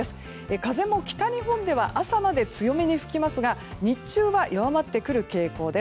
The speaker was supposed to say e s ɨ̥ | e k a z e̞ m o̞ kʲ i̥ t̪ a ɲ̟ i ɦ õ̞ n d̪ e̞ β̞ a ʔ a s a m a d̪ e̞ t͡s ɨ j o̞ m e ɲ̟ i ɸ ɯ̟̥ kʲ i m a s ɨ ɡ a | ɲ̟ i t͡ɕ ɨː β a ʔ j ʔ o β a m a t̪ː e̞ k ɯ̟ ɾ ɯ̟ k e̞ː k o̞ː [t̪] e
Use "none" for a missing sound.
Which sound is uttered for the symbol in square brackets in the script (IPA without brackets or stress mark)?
d̪